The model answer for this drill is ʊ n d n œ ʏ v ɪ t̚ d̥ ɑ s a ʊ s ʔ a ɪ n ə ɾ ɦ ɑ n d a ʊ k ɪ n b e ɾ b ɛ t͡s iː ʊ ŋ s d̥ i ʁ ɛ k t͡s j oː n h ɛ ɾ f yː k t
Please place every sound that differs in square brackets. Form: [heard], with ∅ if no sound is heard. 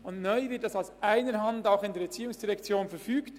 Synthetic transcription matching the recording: ʊ n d n œ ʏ v ɪ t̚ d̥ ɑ s a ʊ s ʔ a ɪ n ə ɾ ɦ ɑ n d a ʊ [x] ɪ n [d] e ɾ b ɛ t͡s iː ʊ ŋ s d̥ i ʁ ɛ k t͡s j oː n [f] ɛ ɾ f yː k t